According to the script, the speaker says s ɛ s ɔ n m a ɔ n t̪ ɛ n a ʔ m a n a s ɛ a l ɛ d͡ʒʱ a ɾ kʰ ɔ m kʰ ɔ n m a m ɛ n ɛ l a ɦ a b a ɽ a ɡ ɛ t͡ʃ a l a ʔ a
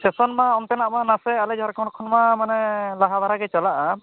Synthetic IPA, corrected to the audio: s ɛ s ɔ n m a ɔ n t̪ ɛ n a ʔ m a n a s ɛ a l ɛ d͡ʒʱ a ɾ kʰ ɔ n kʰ ɔ n m a m a n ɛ l a ɦ a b a ɾ a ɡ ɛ t͡ʃ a l a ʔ a